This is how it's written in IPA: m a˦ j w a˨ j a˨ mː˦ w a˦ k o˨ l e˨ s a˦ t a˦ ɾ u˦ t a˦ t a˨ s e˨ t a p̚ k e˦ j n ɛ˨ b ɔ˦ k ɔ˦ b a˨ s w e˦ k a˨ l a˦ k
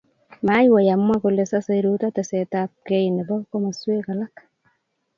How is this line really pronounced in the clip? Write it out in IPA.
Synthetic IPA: m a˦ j w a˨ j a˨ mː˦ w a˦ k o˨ l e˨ s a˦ s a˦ ɾ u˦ t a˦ t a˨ s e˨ t a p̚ k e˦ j n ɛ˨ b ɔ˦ k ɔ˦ m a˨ s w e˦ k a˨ l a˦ k